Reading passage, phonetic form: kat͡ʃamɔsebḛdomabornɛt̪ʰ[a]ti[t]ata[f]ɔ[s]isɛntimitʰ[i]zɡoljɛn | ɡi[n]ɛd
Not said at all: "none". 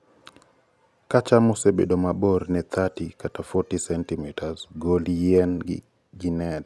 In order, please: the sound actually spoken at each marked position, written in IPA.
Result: a, k, f, t, a, n

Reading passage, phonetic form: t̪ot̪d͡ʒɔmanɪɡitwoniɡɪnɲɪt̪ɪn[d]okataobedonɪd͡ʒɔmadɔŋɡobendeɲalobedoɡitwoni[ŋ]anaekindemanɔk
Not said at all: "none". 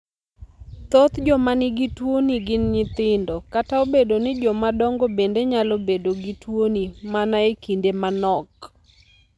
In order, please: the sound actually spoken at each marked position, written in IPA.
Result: d, m

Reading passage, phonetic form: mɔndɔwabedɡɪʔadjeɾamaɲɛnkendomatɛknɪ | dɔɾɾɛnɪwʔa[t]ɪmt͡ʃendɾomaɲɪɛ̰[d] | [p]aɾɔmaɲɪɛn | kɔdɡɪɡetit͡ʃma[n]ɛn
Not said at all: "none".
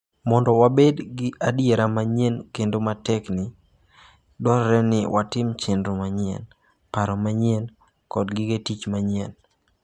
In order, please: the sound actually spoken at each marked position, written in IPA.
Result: t, n, p, ɲ

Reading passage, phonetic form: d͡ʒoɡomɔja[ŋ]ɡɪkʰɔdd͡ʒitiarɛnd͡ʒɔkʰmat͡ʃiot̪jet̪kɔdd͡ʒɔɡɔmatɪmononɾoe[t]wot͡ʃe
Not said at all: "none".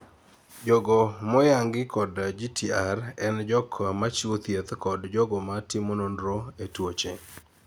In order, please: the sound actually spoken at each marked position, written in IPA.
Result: ŋ, t

